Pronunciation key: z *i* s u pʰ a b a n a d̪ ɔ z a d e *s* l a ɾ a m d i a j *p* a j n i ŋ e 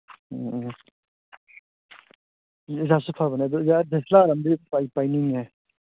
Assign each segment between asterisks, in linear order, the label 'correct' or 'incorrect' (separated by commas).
incorrect, correct, correct